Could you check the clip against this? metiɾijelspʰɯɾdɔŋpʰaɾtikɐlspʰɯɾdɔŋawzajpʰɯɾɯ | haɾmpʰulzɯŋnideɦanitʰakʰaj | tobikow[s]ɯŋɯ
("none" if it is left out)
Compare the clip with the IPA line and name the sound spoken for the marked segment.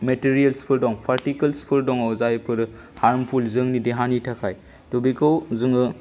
z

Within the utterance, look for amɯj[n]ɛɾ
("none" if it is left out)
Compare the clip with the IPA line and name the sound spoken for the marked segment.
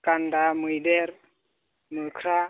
d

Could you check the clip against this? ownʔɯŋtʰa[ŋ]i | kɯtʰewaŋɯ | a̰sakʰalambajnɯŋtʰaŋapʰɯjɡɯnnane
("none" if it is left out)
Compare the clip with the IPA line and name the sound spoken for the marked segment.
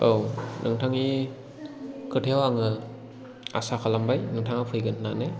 ŋ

